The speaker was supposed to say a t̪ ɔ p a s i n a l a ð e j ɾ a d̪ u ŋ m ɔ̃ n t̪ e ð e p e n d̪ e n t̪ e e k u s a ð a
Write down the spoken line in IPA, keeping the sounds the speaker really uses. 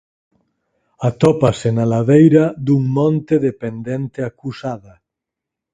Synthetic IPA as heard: a t̪ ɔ p a s e n a l a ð e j ɾ a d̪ u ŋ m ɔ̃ n t̪ e ð e p e n d̪ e n t̪ e a k u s a ð a